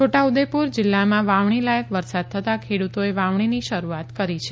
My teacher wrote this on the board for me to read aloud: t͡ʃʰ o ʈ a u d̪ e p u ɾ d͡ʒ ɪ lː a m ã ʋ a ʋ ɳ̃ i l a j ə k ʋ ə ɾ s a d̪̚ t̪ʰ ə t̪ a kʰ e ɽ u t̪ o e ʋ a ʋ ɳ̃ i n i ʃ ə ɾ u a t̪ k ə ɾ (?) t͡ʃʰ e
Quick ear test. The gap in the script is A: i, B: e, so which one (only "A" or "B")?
A